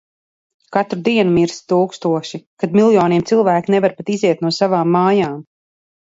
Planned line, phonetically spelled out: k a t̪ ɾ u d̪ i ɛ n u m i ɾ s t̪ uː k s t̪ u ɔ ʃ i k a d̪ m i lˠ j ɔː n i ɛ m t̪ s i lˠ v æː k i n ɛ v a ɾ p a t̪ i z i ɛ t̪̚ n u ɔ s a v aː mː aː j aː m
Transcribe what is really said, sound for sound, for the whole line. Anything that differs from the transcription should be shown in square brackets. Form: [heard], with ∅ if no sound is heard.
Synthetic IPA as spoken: k a t̪ ɾ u d̪ i ɛ n u m i ɾ s t̪ uː k s t̪ u ɔ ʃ i k a d̪ m i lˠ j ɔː n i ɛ m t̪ s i lˠ v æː k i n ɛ v a ɾ p a t̪ i z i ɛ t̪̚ n u ɔ s a v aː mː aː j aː m